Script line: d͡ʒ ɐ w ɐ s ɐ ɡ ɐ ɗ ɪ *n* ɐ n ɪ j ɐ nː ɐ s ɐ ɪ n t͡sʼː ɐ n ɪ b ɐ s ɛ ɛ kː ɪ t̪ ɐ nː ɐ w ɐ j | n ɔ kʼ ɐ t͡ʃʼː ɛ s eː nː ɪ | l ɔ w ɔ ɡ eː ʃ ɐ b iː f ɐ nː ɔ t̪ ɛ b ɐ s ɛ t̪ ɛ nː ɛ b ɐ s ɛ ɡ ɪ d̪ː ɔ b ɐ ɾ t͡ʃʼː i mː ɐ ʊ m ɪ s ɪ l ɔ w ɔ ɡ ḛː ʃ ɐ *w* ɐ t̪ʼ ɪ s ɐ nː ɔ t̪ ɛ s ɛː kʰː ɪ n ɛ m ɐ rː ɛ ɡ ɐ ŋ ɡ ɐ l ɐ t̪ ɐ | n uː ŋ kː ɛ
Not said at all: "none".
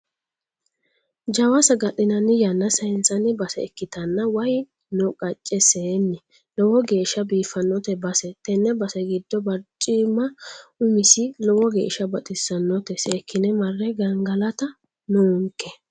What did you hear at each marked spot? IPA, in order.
n, b

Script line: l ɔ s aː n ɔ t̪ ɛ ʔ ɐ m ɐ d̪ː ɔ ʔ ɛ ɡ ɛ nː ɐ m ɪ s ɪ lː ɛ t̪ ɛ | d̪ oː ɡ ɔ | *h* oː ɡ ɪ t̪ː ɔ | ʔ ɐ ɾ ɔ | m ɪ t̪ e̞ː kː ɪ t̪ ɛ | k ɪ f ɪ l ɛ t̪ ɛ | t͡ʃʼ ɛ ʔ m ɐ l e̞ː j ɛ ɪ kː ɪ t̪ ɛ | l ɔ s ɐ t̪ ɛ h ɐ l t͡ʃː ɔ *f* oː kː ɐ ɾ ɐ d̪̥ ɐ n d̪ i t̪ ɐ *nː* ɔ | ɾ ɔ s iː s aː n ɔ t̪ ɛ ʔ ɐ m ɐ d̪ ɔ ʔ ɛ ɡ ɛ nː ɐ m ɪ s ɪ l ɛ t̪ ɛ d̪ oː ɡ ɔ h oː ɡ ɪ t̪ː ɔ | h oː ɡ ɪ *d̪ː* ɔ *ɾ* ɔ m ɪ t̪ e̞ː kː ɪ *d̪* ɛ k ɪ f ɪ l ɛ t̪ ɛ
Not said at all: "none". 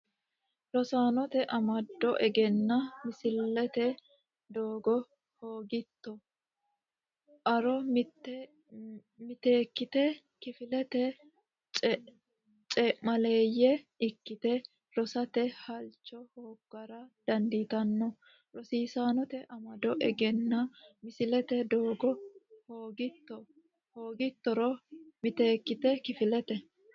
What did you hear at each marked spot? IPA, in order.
h, h, nː, t̪ː, ɾ, t̪

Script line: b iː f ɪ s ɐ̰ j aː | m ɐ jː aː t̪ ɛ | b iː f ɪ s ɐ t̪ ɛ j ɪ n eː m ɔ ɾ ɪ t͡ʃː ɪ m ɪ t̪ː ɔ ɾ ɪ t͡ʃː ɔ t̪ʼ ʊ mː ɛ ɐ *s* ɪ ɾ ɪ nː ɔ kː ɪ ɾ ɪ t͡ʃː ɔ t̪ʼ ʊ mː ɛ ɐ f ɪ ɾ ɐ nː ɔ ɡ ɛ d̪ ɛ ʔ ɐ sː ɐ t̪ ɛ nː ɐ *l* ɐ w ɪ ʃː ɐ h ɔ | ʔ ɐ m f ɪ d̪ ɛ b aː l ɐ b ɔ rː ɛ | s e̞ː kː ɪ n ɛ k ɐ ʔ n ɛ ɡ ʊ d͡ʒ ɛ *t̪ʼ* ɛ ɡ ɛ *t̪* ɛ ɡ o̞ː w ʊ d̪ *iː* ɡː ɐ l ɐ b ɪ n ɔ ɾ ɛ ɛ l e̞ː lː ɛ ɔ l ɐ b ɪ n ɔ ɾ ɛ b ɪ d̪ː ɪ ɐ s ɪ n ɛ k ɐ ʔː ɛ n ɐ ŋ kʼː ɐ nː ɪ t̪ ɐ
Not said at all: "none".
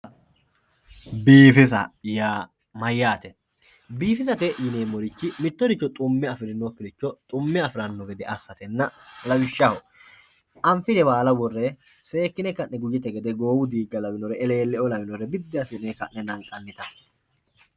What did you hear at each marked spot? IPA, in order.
f, l, t̪, d̪, iː

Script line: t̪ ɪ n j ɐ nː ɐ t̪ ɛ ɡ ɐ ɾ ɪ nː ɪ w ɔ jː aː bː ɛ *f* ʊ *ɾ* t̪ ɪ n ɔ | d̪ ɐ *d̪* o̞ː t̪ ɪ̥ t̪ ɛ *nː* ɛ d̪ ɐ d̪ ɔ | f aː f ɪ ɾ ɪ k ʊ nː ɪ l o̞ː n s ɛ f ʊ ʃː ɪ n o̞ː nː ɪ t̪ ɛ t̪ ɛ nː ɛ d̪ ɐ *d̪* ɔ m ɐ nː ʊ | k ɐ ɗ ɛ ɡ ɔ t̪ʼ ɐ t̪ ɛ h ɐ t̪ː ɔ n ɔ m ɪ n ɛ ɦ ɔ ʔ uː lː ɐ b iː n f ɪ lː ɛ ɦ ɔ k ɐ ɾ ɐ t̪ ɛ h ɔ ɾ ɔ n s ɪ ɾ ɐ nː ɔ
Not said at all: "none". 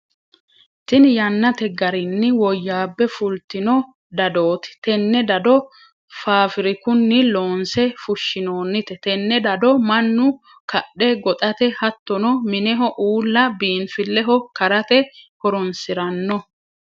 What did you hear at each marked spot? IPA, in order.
f, l, d̪, nː, d̪

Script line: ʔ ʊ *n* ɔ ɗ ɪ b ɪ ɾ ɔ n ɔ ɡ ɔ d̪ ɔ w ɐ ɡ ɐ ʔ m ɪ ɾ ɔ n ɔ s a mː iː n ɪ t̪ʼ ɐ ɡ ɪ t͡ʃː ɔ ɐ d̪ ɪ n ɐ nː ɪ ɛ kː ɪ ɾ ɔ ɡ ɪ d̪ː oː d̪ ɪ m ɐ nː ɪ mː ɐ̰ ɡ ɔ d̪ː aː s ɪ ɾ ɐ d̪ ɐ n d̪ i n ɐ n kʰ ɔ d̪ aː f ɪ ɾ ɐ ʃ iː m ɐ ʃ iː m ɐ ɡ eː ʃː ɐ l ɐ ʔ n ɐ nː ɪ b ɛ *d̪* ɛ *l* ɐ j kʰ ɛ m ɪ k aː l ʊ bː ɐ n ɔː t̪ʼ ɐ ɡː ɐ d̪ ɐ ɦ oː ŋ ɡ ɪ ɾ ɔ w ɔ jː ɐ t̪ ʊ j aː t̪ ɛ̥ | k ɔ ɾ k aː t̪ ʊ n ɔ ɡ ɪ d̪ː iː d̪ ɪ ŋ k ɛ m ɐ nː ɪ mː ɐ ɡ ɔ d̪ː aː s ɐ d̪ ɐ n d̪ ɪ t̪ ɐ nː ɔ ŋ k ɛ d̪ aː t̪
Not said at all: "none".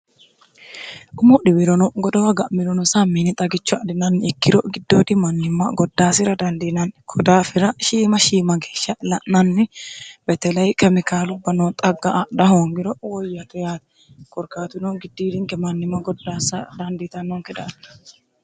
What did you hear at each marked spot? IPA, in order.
m, t̪, l

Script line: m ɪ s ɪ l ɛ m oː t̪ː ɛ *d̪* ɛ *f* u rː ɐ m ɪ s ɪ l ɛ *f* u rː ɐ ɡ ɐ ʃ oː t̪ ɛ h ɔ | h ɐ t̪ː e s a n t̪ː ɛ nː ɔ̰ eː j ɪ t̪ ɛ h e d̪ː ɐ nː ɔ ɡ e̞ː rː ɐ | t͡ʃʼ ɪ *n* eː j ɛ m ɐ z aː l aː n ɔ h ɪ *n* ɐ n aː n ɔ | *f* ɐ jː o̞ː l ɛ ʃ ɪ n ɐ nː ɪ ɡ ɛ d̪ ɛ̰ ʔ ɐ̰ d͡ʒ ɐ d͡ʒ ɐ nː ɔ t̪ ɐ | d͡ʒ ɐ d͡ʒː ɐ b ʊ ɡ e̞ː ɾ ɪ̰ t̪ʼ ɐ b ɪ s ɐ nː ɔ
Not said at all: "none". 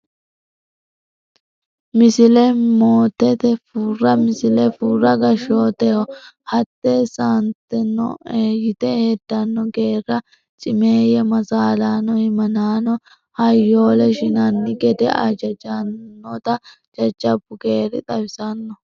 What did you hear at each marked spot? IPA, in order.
t̪, f, f, m, m, h

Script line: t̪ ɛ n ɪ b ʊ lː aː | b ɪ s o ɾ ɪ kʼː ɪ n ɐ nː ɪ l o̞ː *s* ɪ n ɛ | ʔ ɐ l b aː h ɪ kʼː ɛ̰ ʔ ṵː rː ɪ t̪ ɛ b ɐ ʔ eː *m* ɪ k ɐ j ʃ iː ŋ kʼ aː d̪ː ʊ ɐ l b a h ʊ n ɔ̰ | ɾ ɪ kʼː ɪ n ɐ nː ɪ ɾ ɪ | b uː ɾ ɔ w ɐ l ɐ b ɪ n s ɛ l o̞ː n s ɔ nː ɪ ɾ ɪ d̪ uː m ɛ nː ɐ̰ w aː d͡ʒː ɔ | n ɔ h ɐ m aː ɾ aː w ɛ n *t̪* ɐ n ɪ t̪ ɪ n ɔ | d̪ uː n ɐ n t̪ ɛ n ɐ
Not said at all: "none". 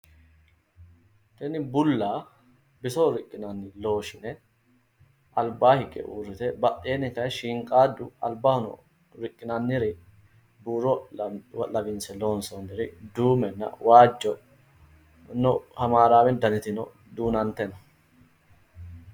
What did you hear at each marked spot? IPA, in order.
ʃ, n, d̪

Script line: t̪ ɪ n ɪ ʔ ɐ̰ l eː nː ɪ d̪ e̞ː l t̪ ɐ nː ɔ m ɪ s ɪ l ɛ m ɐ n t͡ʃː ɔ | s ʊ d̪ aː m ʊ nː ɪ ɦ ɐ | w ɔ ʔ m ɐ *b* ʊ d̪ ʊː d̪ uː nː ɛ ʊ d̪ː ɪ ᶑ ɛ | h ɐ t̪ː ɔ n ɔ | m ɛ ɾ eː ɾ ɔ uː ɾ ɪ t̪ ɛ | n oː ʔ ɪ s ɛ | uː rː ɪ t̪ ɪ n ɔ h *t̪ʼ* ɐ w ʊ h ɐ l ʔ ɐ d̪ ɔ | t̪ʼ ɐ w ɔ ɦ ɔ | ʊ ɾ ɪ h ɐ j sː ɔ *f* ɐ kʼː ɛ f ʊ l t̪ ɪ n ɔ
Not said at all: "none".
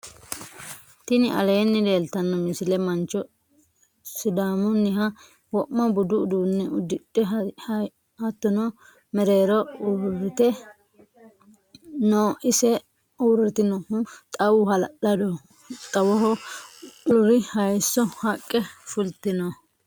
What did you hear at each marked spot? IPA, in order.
b, t̪ʼ, h

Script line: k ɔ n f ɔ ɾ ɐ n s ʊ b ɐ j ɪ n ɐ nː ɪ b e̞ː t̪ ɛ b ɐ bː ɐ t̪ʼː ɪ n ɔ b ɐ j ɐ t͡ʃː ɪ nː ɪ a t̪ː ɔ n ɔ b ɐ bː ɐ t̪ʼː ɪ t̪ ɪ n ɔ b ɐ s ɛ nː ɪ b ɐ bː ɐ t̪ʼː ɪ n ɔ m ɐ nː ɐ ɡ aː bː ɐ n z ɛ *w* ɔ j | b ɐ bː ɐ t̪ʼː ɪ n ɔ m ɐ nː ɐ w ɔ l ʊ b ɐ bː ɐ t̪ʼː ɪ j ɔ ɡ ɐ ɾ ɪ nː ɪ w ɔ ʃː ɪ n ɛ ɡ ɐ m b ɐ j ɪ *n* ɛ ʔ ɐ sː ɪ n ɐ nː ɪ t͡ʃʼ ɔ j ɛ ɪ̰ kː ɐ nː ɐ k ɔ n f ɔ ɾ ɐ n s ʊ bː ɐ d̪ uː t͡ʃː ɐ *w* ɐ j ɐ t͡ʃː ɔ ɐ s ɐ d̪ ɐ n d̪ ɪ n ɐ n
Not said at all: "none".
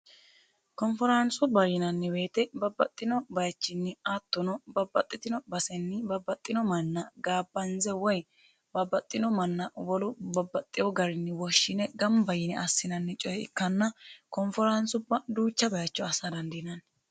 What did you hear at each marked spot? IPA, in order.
w, n, b

